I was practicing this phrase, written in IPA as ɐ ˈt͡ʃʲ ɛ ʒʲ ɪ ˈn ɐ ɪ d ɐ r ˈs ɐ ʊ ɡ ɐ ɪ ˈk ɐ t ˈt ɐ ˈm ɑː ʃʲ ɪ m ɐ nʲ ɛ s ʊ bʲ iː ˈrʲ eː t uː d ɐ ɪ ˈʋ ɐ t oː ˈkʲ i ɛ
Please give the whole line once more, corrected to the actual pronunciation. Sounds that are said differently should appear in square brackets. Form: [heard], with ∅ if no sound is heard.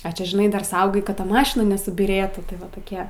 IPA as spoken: ɐ ˈt͡ʃʲ ɛ ʒʲ ɪ ˈn ɐ ɪ d ɐ r ˈs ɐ ʊ ɡ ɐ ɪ ˈk ɐ t ˈt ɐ ˈm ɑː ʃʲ ɪ [n] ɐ nʲ ɛ s ʊ bʲ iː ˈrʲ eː t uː [t] ɐ ɪ ˈʋ ɐ t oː ˈkʲ i ɛ